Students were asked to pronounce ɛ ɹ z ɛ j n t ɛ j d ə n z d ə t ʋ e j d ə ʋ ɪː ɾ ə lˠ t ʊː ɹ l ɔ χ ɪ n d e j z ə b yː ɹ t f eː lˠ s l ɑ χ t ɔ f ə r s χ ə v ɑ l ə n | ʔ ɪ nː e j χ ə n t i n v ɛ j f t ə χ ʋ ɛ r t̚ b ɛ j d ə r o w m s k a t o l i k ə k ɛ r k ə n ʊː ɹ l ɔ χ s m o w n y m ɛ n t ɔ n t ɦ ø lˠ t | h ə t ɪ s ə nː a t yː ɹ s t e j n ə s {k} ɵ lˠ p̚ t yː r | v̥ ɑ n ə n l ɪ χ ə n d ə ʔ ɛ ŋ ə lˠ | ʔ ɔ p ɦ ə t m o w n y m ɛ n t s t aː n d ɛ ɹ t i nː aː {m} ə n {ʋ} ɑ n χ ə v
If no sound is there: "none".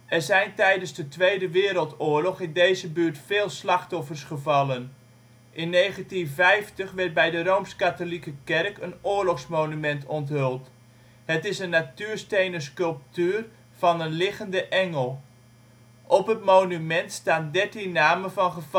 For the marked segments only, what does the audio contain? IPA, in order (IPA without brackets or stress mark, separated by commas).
k, m, v